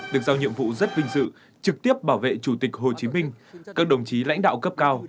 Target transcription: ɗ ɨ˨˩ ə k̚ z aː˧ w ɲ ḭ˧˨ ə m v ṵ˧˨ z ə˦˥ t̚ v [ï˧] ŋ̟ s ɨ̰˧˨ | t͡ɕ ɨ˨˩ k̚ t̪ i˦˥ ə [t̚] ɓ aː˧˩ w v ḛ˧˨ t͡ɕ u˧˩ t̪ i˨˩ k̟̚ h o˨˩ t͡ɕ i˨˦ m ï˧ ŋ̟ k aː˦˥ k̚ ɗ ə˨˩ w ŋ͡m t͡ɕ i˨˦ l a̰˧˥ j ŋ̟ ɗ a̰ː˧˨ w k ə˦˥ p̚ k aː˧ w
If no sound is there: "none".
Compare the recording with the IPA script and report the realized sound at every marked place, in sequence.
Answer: ï˧, p̚

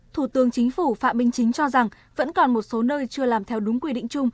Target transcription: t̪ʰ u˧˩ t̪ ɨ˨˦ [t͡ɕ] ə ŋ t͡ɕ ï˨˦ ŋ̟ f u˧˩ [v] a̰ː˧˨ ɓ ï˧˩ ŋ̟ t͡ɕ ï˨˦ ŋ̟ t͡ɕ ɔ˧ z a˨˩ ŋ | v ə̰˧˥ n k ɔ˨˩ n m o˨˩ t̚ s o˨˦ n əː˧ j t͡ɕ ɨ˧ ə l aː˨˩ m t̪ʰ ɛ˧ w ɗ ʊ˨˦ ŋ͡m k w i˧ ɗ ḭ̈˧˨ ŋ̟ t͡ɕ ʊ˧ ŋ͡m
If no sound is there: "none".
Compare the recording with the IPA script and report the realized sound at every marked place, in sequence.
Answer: none, f

